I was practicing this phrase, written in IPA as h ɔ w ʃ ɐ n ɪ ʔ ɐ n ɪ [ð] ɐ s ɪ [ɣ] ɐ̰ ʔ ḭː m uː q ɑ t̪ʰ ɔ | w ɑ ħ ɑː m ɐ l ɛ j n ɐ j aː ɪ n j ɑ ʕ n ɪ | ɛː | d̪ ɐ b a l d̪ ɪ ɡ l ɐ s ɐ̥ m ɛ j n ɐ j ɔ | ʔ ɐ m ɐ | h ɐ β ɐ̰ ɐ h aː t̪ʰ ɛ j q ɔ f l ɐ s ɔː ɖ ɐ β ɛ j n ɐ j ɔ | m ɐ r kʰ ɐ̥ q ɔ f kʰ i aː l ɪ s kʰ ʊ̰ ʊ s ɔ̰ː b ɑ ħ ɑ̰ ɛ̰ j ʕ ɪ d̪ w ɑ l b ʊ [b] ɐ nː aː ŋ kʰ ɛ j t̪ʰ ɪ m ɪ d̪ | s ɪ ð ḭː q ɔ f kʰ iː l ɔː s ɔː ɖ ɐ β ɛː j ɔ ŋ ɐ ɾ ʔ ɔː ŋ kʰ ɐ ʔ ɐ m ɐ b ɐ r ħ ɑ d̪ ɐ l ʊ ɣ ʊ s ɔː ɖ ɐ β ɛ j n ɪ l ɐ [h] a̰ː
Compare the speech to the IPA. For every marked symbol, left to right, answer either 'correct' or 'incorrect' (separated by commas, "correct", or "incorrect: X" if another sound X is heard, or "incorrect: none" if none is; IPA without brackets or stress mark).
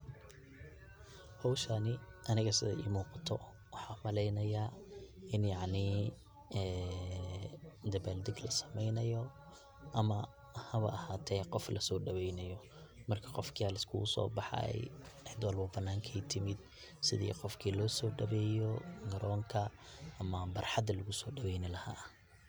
incorrect: ɣ, incorrect: ð, correct, correct